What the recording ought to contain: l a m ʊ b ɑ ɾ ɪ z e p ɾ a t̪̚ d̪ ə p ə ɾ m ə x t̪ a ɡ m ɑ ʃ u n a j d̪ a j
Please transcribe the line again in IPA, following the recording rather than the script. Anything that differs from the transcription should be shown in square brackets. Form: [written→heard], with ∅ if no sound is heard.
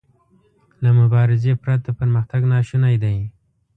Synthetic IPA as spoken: l a m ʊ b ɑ ɾ ɪ z e p ɾ a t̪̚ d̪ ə p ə ɾ m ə x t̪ a ɡ [m→n] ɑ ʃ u n a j d̪ a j